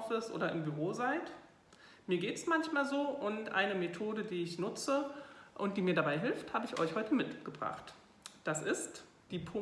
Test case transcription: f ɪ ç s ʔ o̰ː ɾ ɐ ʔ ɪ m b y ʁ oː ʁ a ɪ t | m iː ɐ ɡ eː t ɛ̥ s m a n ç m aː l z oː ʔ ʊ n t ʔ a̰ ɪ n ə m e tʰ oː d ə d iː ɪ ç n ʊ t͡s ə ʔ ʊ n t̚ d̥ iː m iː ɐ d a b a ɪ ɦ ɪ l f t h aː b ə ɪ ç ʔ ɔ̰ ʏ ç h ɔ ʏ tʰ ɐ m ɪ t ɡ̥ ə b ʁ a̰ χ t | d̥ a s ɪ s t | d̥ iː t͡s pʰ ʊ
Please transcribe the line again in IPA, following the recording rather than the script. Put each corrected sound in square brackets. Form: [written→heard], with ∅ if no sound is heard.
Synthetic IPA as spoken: f ɪ [ç→∅] s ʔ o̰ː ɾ ɐ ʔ ɪ m b y ʁ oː [ʁ→z] a ɪ t | m iː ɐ ɡ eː t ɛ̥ s m a n ç m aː l z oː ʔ ʊ n t ʔ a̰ ɪ n ə m e tʰ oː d ə d iː ɪ ç n ʊ t͡s ə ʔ ʊ n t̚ d̥ iː m iː ɐ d a b a ɪ ɦ ɪ l f t h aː b ə ɪ ç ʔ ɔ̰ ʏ ç h ɔ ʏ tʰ [ɐ→ə] m ɪ t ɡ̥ ə b ʁ a̰ χ t | d̥ a s ɪ s t | d̥ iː [t͡s→∅] pʰ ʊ